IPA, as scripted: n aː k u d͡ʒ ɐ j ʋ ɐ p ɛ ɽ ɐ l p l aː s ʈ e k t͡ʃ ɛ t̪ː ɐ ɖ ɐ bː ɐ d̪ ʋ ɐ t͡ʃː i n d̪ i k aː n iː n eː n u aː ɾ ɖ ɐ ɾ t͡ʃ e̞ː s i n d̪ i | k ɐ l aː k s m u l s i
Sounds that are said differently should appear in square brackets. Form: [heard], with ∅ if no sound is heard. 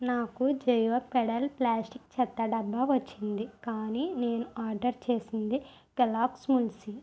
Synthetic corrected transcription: n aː k u d͡ʒ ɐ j ʋ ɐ p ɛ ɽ ɐ l p l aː s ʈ [i] k t͡ʃ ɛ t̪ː ɐ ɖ ɐ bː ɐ [∅] ʋ ɐ t͡ʃː i n d̪ i k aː n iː n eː n u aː ɾ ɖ ɐ ɾ t͡ʃ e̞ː s i n d̪ i | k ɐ l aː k s m u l s i